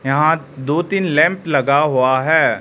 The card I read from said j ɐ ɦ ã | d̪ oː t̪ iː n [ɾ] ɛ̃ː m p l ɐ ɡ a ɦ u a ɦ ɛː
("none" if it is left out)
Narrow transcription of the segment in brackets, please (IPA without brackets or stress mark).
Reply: l